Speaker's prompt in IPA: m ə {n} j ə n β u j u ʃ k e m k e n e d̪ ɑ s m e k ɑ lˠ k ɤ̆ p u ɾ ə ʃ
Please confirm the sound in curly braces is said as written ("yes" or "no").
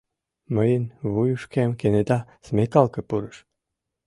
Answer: no